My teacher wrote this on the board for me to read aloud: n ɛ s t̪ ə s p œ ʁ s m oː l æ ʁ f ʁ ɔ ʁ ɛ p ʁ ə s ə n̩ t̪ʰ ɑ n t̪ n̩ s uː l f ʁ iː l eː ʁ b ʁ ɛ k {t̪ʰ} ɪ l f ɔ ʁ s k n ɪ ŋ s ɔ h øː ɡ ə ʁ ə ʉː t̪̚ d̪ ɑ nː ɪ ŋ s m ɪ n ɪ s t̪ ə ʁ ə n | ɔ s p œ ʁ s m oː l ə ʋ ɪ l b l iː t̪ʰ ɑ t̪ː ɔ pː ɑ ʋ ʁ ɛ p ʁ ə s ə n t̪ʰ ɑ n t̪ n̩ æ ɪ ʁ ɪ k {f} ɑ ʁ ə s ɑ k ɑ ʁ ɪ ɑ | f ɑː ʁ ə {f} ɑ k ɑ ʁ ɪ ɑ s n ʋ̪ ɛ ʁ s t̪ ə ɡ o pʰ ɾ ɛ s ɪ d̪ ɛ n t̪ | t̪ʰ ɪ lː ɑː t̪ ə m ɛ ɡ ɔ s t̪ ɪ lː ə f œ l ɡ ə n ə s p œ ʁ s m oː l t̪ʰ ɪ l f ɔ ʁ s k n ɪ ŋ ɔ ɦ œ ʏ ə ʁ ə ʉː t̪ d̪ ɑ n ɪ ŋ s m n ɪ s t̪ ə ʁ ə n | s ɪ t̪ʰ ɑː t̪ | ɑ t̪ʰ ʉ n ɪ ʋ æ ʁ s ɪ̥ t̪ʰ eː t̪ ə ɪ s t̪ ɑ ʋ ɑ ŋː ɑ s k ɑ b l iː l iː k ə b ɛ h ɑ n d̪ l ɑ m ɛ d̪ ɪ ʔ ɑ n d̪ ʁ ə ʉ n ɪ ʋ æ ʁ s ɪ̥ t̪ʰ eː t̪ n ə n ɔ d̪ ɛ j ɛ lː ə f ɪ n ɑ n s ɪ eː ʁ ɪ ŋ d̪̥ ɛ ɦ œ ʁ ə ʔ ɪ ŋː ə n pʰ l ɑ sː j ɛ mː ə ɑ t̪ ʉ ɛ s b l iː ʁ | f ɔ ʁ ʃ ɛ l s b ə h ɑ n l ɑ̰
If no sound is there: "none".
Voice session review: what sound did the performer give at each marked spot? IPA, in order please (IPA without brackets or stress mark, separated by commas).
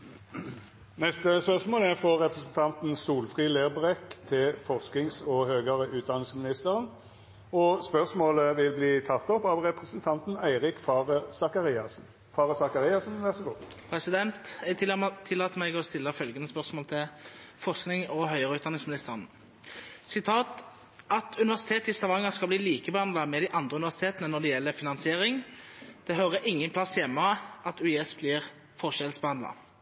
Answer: t̪ʰ, f, s